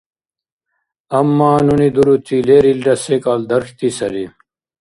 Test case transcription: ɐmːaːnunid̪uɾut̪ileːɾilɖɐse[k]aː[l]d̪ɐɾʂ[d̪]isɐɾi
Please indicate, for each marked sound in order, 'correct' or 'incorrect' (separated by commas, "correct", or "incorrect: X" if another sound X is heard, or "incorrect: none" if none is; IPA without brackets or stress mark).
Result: correct, correct, incorrect: t̪